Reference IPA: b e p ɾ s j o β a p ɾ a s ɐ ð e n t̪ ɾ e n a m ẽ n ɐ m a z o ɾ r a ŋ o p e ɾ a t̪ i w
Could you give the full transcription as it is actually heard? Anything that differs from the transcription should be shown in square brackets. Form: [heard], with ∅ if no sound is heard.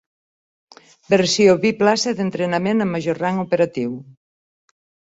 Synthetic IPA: b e [∅] ɾ s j o β [i] p [l] a s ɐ ð e n t̪ ɾ e n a m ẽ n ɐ m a [ʒ] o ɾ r a ŋ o p e ɾ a t̪ i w